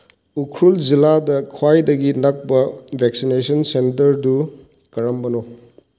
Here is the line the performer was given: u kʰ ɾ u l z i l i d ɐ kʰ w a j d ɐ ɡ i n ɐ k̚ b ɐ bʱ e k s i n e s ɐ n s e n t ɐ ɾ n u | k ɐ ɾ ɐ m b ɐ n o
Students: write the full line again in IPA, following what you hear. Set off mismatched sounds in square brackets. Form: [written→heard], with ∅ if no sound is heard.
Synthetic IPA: u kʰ ɾ u l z i l [i→a] d ɐ kʰ w a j d ɐ ɡ i n ɐ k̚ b ɐ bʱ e k s i n e s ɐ n s e n t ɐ ɾ [n→d] u | k ɐ ɾ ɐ m b ɐ n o